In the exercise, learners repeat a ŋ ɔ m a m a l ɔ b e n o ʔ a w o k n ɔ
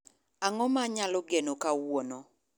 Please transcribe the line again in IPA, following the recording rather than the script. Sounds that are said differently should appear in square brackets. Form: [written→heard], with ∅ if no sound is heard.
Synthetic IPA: a ŋ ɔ m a [m→ɲ] a l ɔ [b→ɡ] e n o [ʔ→k] a w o [k→∅] n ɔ